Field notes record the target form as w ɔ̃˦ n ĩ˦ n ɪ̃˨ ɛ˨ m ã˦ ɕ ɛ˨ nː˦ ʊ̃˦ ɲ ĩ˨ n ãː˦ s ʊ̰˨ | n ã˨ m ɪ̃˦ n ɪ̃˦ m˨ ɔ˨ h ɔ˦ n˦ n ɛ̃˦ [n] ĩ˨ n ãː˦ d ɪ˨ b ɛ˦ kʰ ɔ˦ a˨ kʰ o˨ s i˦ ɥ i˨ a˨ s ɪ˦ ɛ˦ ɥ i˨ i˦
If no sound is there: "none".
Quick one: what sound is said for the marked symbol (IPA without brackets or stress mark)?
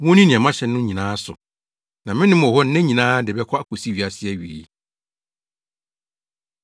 ɲ